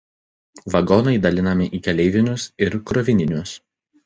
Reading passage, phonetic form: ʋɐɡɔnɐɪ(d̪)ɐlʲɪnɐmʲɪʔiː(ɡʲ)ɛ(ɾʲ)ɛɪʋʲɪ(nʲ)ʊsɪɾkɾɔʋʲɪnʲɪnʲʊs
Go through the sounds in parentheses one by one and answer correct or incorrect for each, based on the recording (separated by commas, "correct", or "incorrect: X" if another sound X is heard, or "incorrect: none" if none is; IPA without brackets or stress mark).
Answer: correct, incorrect: kʲ, incorrect: lʲ, correct